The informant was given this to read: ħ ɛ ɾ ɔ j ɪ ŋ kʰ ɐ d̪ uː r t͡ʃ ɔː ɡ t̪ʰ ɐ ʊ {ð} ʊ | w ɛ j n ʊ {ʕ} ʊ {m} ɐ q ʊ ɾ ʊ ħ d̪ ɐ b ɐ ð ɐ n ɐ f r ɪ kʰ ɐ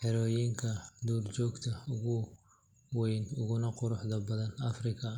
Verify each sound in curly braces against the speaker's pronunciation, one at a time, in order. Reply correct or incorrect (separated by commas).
incorrect, incorrect, incorrect